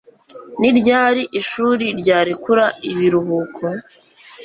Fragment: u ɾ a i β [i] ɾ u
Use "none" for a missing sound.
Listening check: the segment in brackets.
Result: i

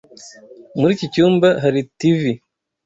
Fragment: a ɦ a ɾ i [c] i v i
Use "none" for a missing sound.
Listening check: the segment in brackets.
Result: t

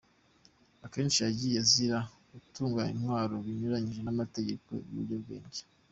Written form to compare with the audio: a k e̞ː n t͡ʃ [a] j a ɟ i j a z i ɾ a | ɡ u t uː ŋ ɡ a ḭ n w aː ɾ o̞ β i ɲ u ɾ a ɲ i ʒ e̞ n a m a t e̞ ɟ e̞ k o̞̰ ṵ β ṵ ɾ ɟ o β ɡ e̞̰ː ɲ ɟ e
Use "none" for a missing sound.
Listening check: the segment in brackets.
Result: i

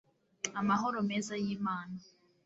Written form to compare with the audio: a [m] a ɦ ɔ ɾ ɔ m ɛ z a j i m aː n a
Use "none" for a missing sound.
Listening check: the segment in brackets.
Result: m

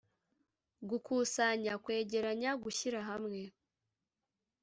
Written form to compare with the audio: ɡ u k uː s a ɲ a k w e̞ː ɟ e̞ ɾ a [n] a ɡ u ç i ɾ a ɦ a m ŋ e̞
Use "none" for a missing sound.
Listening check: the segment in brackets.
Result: ɲ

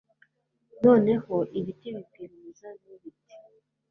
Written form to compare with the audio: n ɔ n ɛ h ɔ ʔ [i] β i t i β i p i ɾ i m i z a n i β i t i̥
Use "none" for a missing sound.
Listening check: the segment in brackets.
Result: i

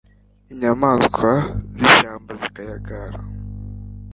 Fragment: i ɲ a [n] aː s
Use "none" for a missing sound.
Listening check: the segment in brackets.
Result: m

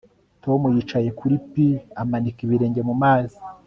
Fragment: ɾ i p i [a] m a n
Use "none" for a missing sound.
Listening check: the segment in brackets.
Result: a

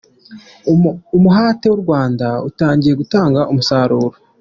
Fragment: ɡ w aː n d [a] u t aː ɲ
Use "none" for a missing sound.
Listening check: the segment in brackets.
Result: a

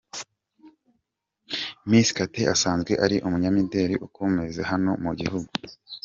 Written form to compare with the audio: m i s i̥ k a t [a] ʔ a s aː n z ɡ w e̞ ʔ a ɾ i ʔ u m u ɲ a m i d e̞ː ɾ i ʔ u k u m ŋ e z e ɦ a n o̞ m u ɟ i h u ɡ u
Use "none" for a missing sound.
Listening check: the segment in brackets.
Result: e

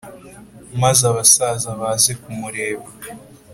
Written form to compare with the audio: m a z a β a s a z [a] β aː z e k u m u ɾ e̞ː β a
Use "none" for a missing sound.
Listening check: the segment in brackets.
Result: a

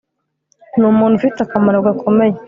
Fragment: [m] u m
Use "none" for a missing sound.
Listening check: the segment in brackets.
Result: n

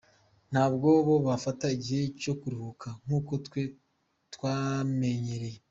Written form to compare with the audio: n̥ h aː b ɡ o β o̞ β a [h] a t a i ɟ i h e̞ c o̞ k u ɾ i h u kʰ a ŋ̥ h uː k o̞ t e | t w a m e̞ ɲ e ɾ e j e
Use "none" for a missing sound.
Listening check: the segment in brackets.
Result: f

